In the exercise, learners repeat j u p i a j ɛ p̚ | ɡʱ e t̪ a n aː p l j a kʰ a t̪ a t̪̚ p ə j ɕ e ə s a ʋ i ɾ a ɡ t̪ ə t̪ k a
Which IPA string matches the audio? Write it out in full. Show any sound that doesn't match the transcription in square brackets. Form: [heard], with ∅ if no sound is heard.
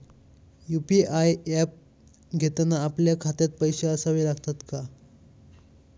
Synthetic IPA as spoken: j u p i a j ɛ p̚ | ɡʱ e t̪ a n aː p l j a kʰ a t̪ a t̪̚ p ə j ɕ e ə s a ʋ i [l] a ɡ t̪ [a] t̪ k a